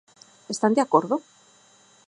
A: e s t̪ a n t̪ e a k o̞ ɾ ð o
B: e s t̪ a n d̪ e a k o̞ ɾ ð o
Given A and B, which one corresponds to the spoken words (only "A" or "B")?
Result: B